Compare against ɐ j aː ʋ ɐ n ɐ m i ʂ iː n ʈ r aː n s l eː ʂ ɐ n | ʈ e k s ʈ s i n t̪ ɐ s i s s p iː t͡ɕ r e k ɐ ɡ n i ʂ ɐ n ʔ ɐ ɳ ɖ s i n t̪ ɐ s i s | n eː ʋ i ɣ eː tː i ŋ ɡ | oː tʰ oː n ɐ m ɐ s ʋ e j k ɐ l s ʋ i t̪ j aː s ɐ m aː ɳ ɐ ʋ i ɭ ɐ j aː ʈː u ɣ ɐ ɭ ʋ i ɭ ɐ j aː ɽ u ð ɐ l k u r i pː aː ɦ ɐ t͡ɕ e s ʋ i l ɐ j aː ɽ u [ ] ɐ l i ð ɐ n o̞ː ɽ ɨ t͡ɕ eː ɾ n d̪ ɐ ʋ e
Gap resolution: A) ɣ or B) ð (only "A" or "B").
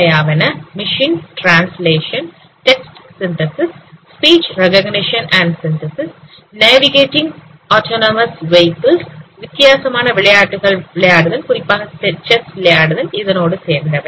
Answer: B